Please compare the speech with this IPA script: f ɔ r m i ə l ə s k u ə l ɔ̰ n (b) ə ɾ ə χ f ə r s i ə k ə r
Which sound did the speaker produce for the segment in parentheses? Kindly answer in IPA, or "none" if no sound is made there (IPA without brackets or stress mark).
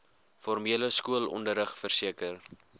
d